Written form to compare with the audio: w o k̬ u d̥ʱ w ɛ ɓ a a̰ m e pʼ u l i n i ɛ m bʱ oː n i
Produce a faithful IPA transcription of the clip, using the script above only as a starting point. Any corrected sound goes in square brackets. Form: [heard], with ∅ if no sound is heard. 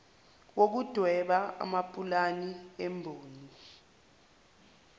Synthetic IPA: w o k̬ u d̥ʱ w ɛ ɓ a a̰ m [a] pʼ u l [a] n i ɛ m bʱ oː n i